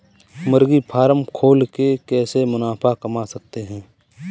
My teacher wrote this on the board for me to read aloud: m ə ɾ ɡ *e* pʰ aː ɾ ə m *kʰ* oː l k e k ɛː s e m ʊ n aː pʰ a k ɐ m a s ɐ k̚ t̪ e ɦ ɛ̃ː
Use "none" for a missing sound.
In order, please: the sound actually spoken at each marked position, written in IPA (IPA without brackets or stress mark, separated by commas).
i, kʰ